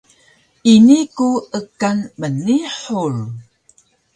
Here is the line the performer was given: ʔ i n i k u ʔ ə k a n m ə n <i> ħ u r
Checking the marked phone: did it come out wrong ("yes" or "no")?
no